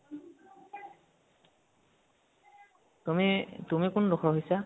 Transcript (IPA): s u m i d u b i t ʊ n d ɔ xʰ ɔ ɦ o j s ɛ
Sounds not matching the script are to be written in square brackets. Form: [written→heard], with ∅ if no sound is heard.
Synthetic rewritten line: [s→t] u m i [d→t] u [b→m] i [t→k] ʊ n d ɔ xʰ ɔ ɦ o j s [ɛ→a]